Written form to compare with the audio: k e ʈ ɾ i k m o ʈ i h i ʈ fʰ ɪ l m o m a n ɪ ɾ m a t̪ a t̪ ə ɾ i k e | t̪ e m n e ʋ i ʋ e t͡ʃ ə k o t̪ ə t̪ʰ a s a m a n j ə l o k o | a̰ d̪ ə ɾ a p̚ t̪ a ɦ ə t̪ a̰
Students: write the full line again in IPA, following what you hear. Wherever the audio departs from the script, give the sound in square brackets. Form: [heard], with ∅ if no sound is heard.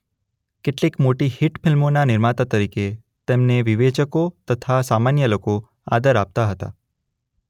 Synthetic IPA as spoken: k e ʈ [l] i k m o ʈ i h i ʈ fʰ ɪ l m o [n] a n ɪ ɾ m a t̪ a t̪ ə ɾ i k e | t̪ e m n e ʋ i ʋ e t͡ʃ ə k o t̪ ə t̪ʰ a s a m a n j ə l o k o | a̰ d̪ ə ɾ a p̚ t̪ a ɦ ə t̪ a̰